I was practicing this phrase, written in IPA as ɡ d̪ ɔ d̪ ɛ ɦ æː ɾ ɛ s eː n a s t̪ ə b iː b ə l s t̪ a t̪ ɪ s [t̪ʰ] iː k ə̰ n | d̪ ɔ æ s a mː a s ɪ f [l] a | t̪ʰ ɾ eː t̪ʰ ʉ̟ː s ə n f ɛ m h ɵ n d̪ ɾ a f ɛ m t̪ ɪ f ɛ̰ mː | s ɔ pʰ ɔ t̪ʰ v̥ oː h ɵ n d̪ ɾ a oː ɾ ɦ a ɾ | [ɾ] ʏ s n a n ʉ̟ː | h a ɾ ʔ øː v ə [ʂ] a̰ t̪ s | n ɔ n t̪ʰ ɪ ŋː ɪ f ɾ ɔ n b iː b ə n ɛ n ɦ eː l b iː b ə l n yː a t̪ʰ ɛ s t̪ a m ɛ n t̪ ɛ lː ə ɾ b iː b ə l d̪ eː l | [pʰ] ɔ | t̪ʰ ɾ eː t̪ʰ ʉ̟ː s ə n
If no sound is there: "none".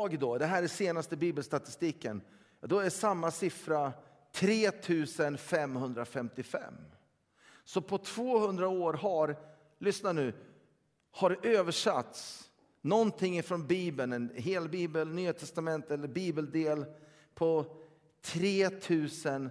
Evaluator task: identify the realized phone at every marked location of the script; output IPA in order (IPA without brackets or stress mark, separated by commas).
t̪, ɾ, l, ʂ, pʰ